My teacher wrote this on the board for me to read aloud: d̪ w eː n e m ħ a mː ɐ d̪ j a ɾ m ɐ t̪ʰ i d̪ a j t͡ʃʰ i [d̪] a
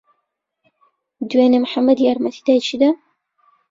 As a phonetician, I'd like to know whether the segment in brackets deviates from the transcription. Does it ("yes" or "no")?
no